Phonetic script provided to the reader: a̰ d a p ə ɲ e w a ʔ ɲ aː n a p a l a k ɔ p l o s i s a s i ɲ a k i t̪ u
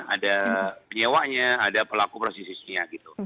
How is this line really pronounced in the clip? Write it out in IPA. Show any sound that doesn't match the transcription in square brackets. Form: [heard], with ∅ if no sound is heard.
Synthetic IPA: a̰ d a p ə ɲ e w a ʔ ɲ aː [d] a p [ə] l a k [u] p [ɾ] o s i s [i] s i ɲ a [ɡ] i t̪ u